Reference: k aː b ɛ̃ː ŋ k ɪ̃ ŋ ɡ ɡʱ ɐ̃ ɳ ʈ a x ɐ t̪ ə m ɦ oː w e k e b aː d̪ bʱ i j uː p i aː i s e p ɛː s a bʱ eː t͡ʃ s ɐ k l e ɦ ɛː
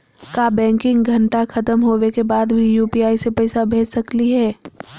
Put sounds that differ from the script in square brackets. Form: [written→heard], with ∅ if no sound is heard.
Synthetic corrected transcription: k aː b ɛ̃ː ŋ k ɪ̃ ŋ ɡ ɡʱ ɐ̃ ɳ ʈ a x ɐ t̪ ə m ɦ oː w e k e b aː d̪ bʱ i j uː p i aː i s e p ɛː s a bʱ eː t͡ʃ s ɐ k l [e→i] ɦ ɛː